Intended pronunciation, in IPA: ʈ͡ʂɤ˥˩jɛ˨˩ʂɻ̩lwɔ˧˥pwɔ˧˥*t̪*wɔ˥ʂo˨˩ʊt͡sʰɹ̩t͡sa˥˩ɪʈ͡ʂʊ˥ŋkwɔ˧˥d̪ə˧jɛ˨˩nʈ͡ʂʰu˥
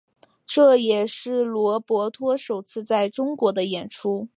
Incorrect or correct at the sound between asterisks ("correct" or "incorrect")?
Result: incorrect